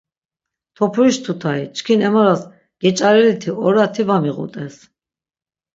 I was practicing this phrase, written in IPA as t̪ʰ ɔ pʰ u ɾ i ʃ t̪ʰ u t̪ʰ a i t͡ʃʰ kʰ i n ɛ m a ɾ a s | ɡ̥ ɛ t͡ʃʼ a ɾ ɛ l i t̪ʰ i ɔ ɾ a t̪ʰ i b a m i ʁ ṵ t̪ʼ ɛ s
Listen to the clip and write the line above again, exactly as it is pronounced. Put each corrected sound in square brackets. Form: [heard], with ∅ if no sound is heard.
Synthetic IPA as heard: t̪ʰ ɔ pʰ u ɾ i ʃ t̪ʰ u t̪ʰ a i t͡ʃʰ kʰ i n ɛ m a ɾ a s | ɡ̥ ɛ t͡ʃʼ a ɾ ɛ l i t̪ʰ i ɔ ɾ a t̪ʰ i [v] a m i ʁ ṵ t̪ʼ ɛ s

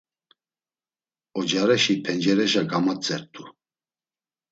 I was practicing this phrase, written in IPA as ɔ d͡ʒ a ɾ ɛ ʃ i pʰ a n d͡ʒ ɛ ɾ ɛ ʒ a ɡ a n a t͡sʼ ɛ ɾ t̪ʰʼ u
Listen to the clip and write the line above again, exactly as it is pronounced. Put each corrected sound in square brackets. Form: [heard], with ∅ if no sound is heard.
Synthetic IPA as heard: ɔ d͡ʒ a ɾ ɛ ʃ i pʰ [ɛ] n d͡ʒ ɛ ɾ ɛ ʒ a ɡ a [m] a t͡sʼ ɛ ɾ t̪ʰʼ u

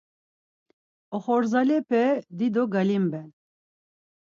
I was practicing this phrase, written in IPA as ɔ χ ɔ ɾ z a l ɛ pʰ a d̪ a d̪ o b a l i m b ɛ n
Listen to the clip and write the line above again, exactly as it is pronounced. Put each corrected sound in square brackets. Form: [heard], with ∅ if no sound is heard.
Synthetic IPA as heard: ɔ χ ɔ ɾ z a l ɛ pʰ [ɛ] d̪ [i] d̪ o [ɡ] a l i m b ɛ n

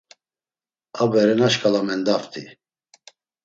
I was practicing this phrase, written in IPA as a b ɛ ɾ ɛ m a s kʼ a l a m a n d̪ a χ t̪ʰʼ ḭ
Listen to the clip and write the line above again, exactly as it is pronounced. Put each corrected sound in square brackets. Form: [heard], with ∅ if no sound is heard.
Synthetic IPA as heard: a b ɛ ɾ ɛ [n] a [ʃ] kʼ a l a m [ɛ] n d̪ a [f] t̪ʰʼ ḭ

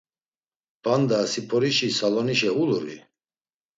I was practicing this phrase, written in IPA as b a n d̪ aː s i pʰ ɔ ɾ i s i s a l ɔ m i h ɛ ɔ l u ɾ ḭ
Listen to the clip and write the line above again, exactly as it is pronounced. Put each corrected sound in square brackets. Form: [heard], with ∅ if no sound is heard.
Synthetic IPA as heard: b a n d̪ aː s i pʰ ɔ ɾ i [ʃ] i s a l ɔ [n] i [ʃ] ɛ [u] l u ɾ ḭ

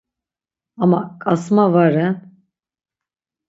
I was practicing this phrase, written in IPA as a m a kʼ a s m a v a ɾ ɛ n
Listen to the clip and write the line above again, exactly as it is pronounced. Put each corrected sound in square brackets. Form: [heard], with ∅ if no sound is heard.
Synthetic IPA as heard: a m a kʼ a s m a v a ɾ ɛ n

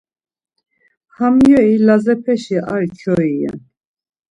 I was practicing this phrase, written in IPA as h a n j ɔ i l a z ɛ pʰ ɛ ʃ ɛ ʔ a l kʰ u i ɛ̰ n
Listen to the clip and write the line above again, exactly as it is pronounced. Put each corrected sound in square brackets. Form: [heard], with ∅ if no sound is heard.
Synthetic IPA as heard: h a [m] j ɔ i l a z ɛ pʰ ɛ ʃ [i] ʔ a [ɾ] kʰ [ɔ] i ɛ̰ n

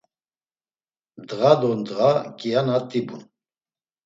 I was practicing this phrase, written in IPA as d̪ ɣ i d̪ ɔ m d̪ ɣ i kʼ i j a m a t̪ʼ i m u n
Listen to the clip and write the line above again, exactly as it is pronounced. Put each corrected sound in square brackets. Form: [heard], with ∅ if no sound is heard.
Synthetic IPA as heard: d̪ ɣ [a] d̪ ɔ [n] d̪ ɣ [a] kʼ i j a [n] a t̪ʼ i [b] u n

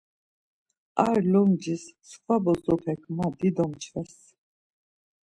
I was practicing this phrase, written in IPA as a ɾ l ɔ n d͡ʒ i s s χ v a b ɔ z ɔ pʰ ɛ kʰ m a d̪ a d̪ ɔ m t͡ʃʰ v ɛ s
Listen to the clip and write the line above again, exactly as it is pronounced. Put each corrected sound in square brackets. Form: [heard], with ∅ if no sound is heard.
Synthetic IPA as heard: a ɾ l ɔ [m] d͡ʒ i s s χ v a b ɔ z ɔ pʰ ɛ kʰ m a d̪ [i] d̪ ɔ m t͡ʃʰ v ɛ s

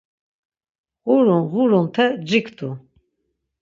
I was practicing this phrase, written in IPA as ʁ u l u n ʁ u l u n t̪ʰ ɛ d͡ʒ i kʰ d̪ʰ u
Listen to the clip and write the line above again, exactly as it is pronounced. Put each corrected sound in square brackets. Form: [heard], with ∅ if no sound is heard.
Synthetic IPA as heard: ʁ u [ɾ] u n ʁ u [ɾ] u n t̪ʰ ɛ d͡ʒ i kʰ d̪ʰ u

